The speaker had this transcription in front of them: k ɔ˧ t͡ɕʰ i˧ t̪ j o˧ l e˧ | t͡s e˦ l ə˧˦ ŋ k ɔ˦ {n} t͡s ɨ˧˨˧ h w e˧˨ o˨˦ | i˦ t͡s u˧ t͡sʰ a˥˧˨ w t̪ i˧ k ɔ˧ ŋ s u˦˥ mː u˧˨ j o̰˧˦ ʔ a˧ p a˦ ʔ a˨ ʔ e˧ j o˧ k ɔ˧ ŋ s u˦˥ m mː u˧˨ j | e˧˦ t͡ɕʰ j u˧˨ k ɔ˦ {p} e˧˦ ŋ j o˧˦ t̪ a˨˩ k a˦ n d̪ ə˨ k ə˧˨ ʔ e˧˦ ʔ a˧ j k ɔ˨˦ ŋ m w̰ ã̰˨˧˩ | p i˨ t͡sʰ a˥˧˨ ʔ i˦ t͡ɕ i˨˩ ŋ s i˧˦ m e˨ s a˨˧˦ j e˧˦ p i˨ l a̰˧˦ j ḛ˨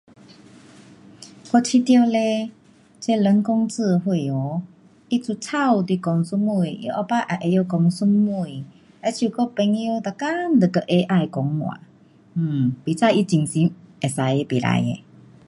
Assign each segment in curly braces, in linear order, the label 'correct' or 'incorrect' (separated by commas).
incorrect, correct